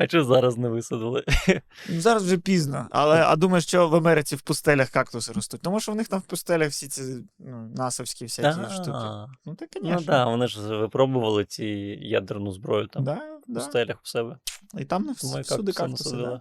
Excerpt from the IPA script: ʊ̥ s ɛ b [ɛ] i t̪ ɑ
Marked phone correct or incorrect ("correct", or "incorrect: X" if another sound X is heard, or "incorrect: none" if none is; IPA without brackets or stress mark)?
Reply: correct